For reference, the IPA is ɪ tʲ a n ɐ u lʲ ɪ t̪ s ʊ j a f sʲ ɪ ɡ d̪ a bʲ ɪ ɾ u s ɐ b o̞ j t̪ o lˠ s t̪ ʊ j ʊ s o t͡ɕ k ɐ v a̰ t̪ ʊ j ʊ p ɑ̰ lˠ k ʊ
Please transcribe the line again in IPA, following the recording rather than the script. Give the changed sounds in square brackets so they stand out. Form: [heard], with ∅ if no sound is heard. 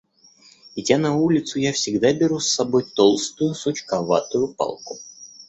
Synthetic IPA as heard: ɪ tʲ a n ɐ u lʲ ɪ t̪ s ʊ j a f sʲ ɪ ɡ d̪ a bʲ ɪ ɾ u [sː] ɐ b o̞ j t̪ o lˠ s t̪ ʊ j ʊ s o t͡ɕ k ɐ v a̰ t̪ ʊ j ʊ p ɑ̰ lˠ k ʊ